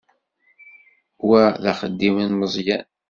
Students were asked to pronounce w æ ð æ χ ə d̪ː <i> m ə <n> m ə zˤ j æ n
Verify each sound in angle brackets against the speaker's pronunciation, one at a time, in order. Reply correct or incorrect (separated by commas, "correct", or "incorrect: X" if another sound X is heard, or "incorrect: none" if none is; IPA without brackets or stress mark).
correct, correct